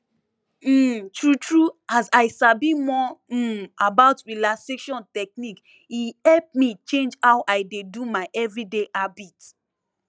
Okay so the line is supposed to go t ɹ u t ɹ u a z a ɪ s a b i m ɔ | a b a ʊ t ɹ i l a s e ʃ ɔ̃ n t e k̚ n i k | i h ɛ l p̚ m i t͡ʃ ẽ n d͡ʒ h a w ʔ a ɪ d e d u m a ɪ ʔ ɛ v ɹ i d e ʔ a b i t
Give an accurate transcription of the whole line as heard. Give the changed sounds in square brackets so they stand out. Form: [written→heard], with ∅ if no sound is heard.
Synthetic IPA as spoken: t ɹ u t ɹ u a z a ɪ s a b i m ɔ | a b a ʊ t ɹ i l a s e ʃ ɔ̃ n t [e→ɛ] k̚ n i k | i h ɛ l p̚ m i t͡ʃ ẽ n d͡ʒ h a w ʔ a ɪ d e d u m a ɪ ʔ ɛ v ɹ i d e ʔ a b i t